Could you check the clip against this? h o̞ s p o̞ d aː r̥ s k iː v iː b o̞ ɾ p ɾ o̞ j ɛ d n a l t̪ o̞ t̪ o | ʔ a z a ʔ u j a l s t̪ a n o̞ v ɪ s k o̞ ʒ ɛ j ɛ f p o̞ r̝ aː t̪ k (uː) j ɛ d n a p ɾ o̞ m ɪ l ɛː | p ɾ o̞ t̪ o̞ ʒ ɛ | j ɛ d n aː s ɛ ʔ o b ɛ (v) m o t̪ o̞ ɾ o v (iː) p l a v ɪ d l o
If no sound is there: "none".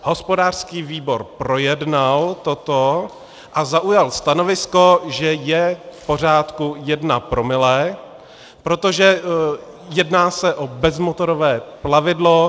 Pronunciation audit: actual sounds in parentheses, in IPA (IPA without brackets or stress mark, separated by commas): u, z, ɛː